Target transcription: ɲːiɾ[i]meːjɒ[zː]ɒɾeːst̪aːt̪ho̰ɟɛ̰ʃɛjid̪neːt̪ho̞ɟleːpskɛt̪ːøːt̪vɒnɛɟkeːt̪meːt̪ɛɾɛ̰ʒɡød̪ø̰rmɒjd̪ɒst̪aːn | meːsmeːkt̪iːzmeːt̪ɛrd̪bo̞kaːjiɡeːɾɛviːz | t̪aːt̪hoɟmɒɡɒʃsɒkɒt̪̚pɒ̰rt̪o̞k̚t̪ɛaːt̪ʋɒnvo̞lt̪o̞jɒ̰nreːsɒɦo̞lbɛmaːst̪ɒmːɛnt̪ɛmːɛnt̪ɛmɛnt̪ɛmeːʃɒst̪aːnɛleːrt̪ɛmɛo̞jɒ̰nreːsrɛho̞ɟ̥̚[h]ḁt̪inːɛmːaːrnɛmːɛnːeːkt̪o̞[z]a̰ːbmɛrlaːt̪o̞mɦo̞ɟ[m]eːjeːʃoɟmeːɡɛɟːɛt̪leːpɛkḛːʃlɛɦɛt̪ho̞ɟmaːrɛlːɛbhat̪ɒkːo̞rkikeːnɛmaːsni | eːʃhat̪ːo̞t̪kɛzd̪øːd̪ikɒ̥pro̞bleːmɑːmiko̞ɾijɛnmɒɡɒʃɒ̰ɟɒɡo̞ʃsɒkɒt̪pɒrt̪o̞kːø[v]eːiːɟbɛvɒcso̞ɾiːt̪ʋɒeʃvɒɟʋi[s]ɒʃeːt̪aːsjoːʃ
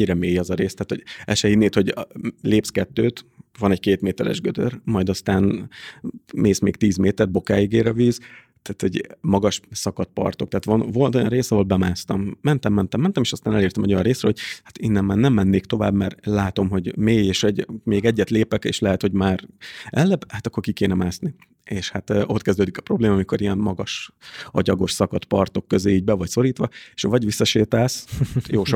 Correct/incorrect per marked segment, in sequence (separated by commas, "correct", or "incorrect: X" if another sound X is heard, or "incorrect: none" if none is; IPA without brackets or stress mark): incorrect: ɛ, incorrect: z, correct, incorrect: v, correct, incorrect: z, incorrect: sː